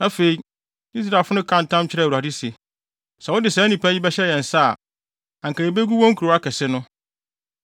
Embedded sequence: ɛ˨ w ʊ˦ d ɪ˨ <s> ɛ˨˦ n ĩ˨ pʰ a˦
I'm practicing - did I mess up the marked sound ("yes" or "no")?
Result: no